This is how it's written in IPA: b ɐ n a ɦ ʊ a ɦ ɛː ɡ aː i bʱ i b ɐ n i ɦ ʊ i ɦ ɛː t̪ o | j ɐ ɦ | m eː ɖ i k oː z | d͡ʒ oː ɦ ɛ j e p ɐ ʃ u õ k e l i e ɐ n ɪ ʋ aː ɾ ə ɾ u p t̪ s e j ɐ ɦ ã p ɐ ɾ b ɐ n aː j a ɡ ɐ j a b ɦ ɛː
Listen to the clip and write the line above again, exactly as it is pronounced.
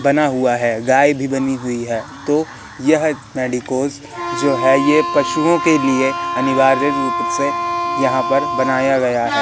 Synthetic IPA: b ɐ n a ɦ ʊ a ɦ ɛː ɡ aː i bʱ i b ɐ n i ɦ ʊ i ɦ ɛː t̪ o | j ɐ ɦ | m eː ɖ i k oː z | d͡ʒ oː ɦ ɛ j e p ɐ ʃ u õ k e l i e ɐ n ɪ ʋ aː ɾ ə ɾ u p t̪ s e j ɐ ɦ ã p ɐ ɾ b ɐ n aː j a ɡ ɐ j a ɦ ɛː